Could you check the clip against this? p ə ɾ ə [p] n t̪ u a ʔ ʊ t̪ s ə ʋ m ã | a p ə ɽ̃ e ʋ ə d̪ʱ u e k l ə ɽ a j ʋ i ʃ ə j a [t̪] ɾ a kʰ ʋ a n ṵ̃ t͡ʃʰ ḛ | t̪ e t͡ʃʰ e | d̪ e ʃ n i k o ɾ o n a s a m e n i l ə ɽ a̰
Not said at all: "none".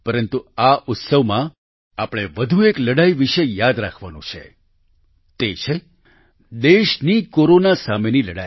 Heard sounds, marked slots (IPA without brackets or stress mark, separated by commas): none, d̪